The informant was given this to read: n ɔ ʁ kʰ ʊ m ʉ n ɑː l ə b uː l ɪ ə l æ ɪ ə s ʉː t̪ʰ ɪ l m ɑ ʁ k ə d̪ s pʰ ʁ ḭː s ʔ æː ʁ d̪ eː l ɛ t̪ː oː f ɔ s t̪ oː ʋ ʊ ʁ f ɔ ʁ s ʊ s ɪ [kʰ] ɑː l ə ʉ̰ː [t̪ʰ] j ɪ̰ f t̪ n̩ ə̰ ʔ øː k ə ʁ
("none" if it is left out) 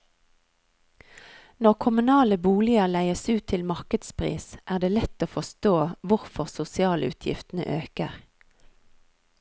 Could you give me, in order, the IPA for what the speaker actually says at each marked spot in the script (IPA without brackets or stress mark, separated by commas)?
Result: none, t̪ʰ